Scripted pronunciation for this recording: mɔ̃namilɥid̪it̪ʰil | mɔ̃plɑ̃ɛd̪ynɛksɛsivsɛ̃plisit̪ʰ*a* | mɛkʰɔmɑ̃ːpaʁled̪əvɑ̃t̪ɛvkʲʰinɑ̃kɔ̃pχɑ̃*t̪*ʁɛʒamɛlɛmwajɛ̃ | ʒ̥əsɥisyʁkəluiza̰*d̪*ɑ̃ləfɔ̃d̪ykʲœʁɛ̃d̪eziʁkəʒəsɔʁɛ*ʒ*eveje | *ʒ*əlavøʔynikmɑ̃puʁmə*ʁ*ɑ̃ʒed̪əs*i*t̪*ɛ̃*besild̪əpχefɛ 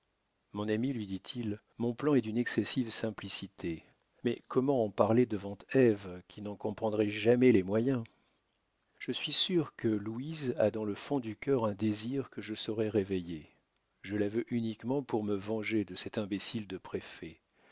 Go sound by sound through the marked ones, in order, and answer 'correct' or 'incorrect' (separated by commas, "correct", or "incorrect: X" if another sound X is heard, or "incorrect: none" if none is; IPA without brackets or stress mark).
incorrect: e, incorrect: d̪, correct, incorrect: ʁ, correct, incorrect: v, incorrect: ɛ, correct